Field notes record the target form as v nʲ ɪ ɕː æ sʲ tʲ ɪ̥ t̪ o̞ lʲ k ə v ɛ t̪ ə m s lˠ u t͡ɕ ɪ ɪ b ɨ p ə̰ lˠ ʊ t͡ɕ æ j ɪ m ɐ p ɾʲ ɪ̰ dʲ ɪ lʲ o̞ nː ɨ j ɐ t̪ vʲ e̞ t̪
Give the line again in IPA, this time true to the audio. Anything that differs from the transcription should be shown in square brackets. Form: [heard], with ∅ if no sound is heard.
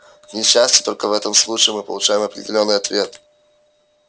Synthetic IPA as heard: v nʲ ɪ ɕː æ sʲ tʲ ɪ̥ t̪ o̞ lʲ k ə v ɛ t̪ ə m s lˠ u t͡ɕ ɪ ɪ [m] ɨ p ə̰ lˠ ʊ t͡ɕ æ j ɪ m ɐ p ɾʲ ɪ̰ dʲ ɪ lʲ o̞ nː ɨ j ɐ t̪ vʲ e̞ t̪